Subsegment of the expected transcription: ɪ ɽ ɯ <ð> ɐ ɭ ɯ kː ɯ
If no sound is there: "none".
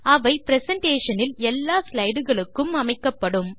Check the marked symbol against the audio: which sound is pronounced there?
ɣ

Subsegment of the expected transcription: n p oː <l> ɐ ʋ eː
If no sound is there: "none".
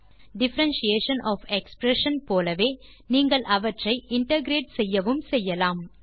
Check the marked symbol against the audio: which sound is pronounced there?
l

